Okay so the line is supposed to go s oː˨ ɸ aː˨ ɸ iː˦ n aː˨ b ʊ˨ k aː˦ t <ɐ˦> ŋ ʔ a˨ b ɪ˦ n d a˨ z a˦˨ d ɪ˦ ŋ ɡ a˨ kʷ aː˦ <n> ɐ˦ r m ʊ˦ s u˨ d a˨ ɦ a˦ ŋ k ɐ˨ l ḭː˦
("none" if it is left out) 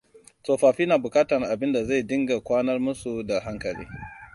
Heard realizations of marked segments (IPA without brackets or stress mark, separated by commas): ɐ˨, n